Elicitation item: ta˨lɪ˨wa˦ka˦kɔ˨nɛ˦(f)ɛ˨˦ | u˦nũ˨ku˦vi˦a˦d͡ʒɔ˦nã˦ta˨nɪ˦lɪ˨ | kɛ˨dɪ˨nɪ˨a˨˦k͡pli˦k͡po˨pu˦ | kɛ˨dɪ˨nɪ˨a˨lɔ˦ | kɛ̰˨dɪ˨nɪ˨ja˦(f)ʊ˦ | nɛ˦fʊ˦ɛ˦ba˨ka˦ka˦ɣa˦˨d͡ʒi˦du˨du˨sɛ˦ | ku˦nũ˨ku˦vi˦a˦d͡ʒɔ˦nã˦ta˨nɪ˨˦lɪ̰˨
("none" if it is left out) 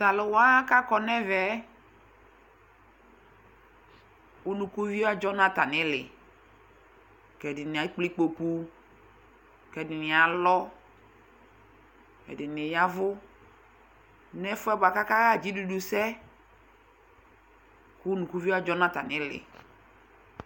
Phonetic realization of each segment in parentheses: v, v

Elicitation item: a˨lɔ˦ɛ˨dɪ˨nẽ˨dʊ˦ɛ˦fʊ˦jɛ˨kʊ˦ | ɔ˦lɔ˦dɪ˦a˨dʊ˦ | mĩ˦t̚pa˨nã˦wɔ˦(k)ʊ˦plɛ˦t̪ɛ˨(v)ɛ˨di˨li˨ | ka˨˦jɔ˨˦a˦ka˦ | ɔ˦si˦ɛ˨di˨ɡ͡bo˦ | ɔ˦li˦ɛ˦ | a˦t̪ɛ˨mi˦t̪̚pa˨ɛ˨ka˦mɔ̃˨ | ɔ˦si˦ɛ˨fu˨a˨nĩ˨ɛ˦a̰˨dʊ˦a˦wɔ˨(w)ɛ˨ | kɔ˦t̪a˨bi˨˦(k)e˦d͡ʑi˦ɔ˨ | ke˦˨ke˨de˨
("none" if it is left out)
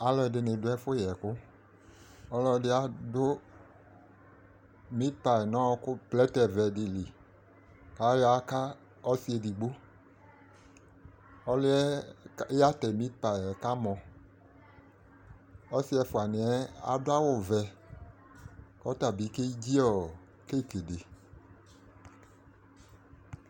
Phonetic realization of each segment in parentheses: k, v, v, k

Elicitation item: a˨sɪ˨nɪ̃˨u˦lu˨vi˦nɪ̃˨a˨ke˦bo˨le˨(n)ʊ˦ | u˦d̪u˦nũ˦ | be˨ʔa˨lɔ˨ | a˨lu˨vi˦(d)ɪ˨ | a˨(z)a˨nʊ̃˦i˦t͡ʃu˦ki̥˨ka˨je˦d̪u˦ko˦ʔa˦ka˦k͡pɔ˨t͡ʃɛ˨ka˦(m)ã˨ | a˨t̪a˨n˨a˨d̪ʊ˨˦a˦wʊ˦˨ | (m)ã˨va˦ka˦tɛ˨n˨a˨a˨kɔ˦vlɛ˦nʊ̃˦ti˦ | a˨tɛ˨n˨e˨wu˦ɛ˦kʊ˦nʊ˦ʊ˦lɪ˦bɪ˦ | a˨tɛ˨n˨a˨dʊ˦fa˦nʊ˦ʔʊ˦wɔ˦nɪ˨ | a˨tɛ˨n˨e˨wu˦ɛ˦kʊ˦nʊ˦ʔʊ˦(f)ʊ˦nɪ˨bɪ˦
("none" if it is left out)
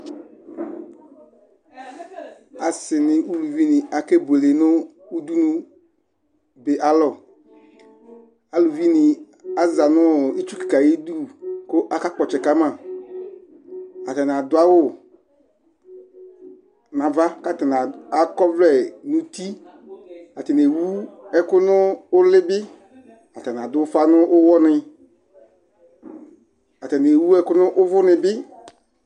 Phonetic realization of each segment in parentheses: n, n, z, m, n, v

